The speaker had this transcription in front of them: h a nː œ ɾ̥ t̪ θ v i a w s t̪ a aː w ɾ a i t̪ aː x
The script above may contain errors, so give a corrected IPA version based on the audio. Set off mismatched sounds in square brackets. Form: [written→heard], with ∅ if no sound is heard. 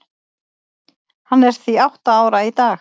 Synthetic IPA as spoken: h a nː [œ→ɛ] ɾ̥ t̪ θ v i a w [s→h] t̪ a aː w ɾ a i t̪ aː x